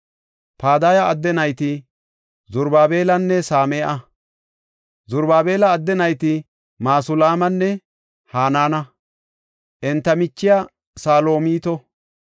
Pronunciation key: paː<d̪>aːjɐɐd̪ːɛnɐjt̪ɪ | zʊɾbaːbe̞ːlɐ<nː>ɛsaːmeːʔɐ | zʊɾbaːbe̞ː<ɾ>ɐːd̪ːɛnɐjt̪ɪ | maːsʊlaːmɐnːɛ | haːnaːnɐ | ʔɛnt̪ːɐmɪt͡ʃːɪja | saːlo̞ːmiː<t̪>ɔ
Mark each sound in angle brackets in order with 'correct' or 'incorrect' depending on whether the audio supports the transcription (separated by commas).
correct, correct, incorrect, correct